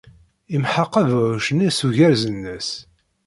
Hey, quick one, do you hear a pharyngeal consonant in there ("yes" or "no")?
yes